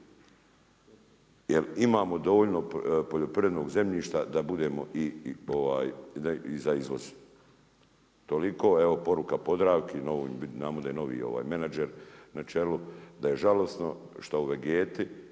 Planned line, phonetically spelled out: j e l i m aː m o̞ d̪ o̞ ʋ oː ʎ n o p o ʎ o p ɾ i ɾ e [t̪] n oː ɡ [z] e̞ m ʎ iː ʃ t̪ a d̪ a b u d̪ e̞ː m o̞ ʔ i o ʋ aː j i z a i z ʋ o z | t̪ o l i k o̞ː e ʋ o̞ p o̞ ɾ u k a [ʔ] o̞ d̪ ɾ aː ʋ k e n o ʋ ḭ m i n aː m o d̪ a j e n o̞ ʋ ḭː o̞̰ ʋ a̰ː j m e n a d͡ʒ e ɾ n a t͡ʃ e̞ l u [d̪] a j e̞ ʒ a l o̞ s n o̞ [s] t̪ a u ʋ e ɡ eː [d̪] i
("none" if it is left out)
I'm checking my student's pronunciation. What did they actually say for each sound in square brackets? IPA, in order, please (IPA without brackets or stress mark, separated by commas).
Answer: d̪, z, p, d̪, ʃ, t̪